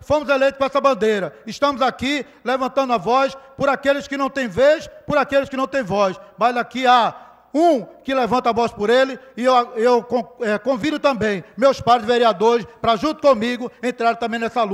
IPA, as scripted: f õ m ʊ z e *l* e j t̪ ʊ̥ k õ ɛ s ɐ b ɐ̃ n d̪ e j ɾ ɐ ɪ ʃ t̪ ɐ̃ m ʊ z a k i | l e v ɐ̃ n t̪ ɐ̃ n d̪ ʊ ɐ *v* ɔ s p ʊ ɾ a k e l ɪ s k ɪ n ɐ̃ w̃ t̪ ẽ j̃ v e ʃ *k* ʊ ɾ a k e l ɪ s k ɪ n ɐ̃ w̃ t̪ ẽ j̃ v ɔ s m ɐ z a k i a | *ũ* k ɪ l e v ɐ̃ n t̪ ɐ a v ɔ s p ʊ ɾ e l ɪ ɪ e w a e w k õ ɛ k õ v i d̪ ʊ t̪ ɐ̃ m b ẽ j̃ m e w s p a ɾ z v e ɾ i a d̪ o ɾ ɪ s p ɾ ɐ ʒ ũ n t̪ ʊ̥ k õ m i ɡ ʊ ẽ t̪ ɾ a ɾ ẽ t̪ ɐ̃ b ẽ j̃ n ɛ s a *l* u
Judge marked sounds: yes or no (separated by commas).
yes, yes, no, yes, yes